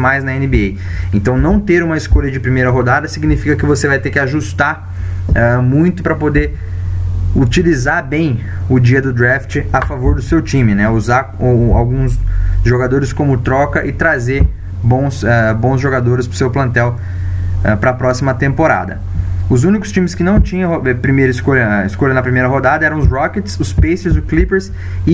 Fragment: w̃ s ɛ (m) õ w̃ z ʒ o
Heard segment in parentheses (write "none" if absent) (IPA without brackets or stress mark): b